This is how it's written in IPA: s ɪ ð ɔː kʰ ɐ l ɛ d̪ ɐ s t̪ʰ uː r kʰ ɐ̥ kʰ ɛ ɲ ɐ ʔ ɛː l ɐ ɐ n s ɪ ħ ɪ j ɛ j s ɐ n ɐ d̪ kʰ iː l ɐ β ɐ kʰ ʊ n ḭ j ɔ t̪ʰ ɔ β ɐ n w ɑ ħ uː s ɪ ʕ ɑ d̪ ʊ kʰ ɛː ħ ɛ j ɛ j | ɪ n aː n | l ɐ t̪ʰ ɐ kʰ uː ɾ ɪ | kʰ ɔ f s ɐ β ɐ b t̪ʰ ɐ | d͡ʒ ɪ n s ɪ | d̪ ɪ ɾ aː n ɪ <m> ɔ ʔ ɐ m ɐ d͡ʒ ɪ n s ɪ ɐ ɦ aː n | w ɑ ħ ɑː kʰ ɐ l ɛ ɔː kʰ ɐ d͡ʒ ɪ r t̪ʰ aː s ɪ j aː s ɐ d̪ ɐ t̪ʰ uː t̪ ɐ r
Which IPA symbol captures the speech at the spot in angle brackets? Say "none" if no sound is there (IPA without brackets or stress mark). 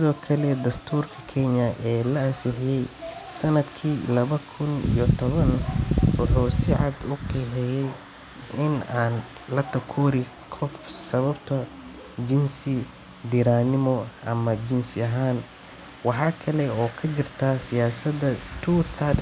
m